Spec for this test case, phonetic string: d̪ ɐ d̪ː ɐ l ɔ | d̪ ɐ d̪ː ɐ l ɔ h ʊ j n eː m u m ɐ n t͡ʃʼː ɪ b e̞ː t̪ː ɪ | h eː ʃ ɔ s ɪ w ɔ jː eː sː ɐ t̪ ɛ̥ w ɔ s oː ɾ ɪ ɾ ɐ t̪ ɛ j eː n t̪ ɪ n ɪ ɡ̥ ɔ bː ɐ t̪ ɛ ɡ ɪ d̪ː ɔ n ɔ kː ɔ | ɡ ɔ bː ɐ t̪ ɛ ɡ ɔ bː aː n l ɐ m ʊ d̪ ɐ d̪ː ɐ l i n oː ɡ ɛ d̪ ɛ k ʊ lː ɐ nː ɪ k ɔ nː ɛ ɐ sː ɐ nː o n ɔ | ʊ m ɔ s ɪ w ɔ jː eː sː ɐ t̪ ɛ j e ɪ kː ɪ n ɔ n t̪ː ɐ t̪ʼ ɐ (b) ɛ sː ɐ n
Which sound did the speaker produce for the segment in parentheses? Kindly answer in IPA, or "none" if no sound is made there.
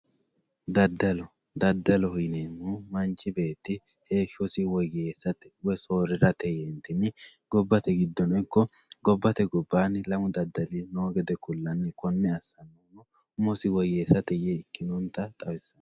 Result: w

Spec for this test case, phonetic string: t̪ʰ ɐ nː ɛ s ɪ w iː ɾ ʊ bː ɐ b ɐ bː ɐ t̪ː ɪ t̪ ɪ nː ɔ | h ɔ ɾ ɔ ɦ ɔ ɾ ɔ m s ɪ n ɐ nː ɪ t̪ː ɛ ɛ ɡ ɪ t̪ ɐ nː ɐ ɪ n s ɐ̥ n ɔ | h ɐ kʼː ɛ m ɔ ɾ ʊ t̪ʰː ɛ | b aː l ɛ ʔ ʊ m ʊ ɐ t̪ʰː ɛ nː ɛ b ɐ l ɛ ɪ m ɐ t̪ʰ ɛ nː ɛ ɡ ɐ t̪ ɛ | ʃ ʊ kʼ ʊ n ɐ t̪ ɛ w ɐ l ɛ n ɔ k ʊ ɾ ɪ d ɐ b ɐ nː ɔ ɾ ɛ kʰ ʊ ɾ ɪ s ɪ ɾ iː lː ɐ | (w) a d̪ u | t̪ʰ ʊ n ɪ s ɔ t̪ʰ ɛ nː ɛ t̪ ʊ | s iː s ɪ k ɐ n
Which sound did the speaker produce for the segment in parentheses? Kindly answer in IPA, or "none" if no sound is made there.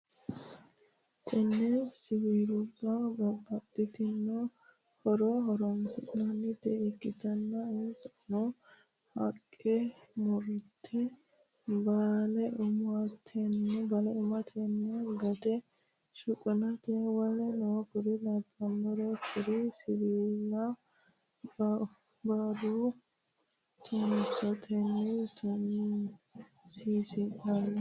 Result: b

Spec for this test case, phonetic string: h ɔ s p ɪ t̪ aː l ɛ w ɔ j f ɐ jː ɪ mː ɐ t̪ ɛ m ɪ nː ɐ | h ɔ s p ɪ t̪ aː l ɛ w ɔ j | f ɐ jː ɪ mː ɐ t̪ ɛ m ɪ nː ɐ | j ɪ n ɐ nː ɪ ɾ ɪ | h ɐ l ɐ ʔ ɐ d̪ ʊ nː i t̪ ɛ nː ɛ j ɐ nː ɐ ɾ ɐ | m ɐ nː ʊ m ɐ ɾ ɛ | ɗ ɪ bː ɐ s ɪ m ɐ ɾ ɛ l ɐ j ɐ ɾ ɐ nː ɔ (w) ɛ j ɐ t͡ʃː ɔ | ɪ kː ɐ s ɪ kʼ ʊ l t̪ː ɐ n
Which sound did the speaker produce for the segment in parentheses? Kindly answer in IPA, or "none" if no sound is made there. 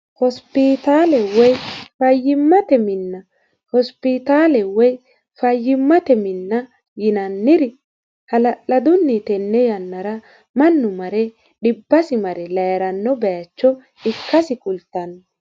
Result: b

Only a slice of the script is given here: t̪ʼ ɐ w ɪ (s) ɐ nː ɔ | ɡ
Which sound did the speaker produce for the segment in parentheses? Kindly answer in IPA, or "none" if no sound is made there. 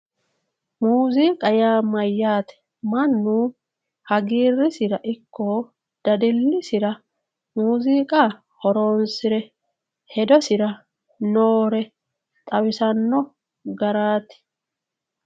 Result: s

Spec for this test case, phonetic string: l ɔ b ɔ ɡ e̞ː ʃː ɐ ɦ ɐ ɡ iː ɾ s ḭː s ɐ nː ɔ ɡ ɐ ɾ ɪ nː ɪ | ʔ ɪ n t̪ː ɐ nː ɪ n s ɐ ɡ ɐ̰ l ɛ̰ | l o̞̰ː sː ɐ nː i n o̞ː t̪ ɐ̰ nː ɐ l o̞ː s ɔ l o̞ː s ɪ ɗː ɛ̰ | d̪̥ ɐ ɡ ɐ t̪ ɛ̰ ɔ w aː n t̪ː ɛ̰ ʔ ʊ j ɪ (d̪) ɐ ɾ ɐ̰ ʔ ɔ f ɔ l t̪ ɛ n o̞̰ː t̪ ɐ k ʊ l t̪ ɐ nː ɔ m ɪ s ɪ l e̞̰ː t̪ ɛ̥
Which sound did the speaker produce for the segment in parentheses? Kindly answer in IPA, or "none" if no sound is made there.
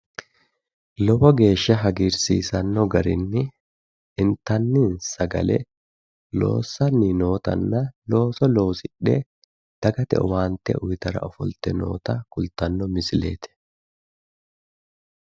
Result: t̪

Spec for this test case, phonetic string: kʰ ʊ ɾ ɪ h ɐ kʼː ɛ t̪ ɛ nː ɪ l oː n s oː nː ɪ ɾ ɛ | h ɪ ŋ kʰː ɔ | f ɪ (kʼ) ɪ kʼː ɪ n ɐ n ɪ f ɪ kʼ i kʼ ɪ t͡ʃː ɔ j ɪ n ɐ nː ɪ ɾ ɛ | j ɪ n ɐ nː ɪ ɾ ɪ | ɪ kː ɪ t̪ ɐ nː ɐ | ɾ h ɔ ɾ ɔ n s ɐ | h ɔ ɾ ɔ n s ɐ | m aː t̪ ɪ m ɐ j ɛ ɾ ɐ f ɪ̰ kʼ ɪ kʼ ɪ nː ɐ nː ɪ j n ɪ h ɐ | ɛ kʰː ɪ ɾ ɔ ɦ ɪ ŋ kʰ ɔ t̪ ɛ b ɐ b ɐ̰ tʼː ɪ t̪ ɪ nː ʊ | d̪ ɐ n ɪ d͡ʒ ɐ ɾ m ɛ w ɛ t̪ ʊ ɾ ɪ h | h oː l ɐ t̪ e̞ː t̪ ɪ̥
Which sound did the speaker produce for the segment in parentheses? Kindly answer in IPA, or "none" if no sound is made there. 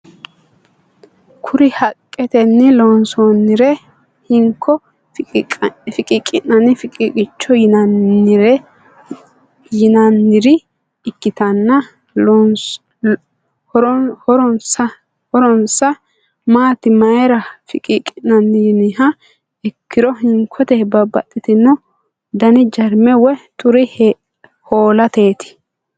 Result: kʼ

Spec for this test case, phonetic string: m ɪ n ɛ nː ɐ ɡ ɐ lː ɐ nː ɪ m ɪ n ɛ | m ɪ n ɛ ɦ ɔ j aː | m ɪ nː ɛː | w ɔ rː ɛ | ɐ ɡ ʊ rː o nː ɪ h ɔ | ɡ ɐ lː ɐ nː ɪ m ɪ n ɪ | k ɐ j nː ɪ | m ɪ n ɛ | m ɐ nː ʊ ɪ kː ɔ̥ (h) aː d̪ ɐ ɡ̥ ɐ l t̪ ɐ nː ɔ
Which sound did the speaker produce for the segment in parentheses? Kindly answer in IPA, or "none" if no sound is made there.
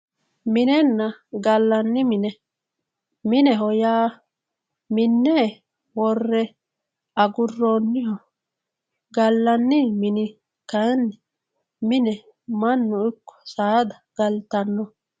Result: s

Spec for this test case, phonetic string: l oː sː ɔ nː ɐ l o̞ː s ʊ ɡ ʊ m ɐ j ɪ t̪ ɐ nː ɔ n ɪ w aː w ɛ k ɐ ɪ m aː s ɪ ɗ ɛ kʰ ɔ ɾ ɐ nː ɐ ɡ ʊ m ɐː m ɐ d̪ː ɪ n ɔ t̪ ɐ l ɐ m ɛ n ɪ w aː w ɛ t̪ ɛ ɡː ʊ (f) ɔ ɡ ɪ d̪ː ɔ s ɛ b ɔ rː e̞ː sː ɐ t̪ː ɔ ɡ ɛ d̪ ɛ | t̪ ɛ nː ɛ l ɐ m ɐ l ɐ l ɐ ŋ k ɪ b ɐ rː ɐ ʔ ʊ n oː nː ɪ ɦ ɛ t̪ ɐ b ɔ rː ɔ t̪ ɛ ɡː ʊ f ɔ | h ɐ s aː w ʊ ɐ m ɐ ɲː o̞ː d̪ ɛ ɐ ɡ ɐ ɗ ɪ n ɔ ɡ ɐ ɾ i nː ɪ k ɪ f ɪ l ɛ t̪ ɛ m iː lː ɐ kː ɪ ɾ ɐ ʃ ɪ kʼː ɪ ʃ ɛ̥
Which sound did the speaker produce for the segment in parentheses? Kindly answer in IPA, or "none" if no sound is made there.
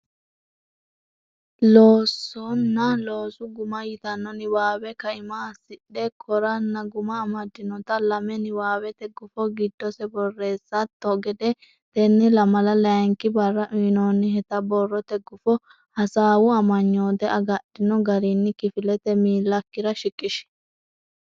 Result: f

